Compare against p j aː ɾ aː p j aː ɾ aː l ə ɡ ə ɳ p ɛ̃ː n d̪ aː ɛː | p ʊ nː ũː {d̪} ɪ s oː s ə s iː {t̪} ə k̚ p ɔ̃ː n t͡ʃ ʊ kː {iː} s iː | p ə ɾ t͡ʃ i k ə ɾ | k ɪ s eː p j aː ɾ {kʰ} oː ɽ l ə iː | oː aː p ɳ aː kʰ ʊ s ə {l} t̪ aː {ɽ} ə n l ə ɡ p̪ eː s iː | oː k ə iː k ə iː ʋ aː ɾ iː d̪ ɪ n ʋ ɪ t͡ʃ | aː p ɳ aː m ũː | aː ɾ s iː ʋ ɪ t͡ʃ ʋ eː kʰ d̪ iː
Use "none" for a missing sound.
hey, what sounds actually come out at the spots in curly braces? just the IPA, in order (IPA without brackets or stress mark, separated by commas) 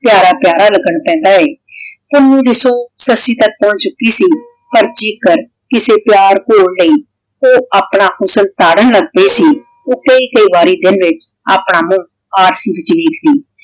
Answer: d̪, t̪, iː, k, l, ɽ